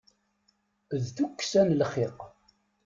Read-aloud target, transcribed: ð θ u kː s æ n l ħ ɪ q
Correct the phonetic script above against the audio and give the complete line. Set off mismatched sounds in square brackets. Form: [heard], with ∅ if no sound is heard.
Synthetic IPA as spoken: ð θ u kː s æ n l [χ] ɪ q